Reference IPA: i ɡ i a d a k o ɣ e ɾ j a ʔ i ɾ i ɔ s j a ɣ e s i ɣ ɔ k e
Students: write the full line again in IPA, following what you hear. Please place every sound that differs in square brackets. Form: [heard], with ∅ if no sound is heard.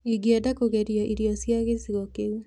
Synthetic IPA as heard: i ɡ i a d a k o ɣ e ɾ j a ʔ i ɾ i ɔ s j a ɣ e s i ɣ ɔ k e